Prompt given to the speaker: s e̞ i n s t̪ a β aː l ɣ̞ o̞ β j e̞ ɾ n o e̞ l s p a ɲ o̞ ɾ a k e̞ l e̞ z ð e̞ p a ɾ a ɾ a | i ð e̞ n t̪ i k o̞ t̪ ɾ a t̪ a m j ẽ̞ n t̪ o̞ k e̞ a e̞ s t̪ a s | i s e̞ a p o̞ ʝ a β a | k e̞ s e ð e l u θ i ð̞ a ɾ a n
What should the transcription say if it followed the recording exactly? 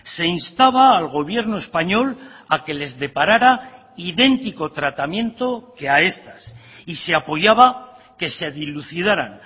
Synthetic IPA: s e̞ i n s t̪ a β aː l ɣ̞ o̞ β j e̞ ɾ n o e̞ s p a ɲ o̞ l a k e̞ l e̞ z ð e̞ p a ɾ a ɾ a | i ð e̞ n t̪ i k o̞ t̪ ɾ a t̪ a m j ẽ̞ n t̪ o̞ k e̞ a e̞ s t̪ a s | i s e̞ a p o̞ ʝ a β a | k e̞ s e ð i l u θ i ð̞ a ɾ a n

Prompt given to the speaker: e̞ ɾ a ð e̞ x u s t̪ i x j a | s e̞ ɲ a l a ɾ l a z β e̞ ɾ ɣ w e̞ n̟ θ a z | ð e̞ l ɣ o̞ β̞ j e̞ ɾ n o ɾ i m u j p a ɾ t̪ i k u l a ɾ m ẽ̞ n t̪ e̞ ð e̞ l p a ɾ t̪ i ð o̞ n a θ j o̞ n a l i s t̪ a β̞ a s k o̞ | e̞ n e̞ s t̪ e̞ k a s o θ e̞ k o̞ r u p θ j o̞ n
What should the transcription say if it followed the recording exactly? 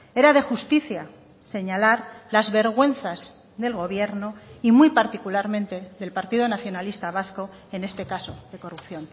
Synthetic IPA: e̞ ɾ a ð e̞ x u s t̪ i θ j a | s e̞ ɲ a l a ɾ l a z β e̞ ɾ ɣ w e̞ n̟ θ a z | ð e̞ l ɣ o̞ β̞ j e̞ ɾ n o i m u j p a ɾ t̪ i k u l a ɾ m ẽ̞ n t̪ e̞ ð e̞ l p a ɾ t̪ i ð o̞ n a θ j o̞ n a l i s t̪ a β̞ a s k o̞ | e̞ n e̞ s t̪ e̞ k a s o ð e̞ k o̞ r u p θ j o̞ n

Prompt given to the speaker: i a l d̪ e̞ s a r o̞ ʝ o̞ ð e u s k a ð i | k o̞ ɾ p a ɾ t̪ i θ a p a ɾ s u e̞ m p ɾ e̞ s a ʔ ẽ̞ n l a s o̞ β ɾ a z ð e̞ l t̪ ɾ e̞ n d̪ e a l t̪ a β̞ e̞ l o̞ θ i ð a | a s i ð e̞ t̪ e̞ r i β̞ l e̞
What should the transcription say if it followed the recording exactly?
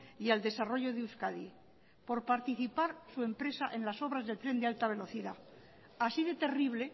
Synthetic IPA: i a l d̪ e̞ s a r o̞ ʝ o̞ ð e u s k a ð i | p o̞ ɾ p a ɾ t̪ i θ i p a ɾ s u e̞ m p ɾ e̞ s a ʔ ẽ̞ n l a s o̞ β ɾ a z ð e̞ l t̪ ɾ e̞ n d̪ e a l t̪ a β̞ e̞ l o̞ θ i ð a | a s i ð e̞ t̪ e̞ r i β̞ l e̞

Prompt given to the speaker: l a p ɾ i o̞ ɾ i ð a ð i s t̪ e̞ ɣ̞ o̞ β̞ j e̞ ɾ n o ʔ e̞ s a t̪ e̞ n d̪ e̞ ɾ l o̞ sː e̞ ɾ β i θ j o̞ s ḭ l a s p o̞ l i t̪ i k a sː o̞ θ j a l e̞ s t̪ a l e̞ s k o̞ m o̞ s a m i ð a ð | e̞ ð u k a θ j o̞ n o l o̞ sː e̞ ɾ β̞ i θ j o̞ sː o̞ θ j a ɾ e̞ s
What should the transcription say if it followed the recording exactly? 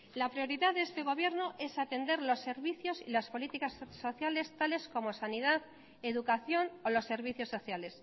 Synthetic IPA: l a p ɾ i o̞ ɾ i ð a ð e s t̪ e̞ ɣ̞ o̞ β̞ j e̞ ɾ n o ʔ e̞ s a t̪ e̞ n d̪ e̞ ɾ l o̞ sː e̞ ɾ β i θ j o̞ s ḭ l a s p o̞ l i t̪ i k a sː o̞ θ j a l e̞ s t̪ a l e̞ s k o̞ m o̞ s a n i ð a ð | e̞ ð u k a θ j o̞ n o l o̞ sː e̞ ɾ β̞ i θ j o̞ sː o̞ θ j a l e̞ s

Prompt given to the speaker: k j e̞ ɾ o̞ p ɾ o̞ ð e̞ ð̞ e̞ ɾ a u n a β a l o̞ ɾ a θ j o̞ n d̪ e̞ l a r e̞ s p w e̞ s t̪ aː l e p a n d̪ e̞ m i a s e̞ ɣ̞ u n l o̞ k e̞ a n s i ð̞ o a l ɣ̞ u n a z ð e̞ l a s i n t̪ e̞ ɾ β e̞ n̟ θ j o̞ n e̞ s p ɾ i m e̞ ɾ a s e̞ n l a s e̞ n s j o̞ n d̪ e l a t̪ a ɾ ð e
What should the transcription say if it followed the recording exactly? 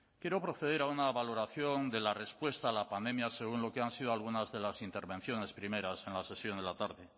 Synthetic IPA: k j e̞ ɾ o̞ p ɾ o̞ θ e̞ ð̞ e̞ ɾ a u n a β a l o̞ ɾ a θ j o̞ n d̪ e̞ l a r e̞ s p w e̞ s t̪ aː l a p a n d̪ e̞ m j a s e̞ ɣ̞ u n l o̞ k e̞ a n s i ð̞ o a l ɣ̞ u n a z ð e̞ l a s i n t̪ e̞ ɾ β e̞ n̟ θ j o̞ n e̞ s p ɾ i m e̞ ɾ a s e̞ n l a s e̞ s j o̞ n d̪ e l a t̪ a ɾ ð e

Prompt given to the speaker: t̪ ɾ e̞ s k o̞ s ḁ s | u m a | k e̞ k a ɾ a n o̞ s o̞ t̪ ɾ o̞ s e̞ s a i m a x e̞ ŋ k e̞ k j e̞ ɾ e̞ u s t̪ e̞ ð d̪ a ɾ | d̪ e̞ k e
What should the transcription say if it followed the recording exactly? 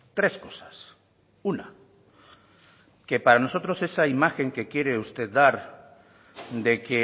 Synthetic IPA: t̪ ɾ e̞ s k o̞ s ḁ s | u n a | k e̞ p a ɾ a n o̞ s o̞ t̪ ɾ o̞ s e̞ s a i m a x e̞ ŋ k e̞ k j e̞ ɾ e̞ u s t̪ e̞ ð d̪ a ɾ | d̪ e̞ k e

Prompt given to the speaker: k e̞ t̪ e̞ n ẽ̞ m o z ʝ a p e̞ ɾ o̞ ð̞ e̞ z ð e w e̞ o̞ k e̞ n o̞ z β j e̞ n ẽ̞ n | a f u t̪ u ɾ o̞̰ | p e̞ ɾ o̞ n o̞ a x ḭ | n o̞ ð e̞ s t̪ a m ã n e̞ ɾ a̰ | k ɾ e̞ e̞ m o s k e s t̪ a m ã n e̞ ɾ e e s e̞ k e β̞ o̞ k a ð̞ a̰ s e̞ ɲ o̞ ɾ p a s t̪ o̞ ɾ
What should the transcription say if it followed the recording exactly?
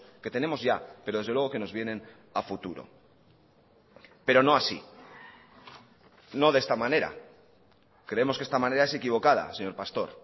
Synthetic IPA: k e̞ t̪ e̞ n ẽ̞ m o z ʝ a p e̞ ɾ o̞ ð̞ e̞ z ð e w e̞ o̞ k e̞ n o̞ z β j e̞ n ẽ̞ n | a f u t̪ u ɾ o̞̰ | p e̞ ɾ o̞ n o̞ a s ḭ | n o̞ ð e̞ s t̪ a m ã n e̞ ɾ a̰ | k ɾ e̞ e̞ m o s k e s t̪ a m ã n e̞ ɾ a e s e̞ k i β̞ o̞ k a ð̞ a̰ s e̞ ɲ o̞ ɾ p a s t̪ o̞ ɾ

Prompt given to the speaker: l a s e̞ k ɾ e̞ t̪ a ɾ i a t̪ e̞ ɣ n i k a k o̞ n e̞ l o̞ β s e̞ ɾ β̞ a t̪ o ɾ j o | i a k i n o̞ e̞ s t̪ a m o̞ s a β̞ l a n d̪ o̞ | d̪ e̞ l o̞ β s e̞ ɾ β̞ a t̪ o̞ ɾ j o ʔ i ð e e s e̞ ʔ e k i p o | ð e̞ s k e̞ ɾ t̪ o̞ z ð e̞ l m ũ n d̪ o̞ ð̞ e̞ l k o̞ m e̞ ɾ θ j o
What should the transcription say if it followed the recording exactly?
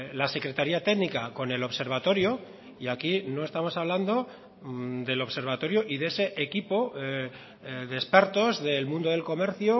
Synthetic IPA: l a s e̞ k ɾ e̞ t̪ a ɾ i a t̪ e̞ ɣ n i k a k o̞ n e̞ l o̞ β s e̞ ɾ β̞ a t̪ o ɾ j o | i a k i n o̞ e̞ s t̪ a m o̞ s a β̞ l a n d̪ o̞ | d̪ e̞ l o̞ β s e̞ ɾ β̞ a t̪ o̞ ɾ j o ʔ i ð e e s e̞ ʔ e k i p o | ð e̞ s p e̞ ɾ t̪ o̞ z ð e̞ l m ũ n d̪ o̞ ð̞ e̞ l k o̞ m e̞ ɾ θ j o

